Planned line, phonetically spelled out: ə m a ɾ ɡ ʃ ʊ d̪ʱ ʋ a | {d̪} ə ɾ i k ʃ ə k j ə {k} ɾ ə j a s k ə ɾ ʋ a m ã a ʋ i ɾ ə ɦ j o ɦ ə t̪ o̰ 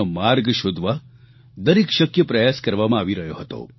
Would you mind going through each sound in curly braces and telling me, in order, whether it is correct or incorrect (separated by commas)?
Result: correct, incorrect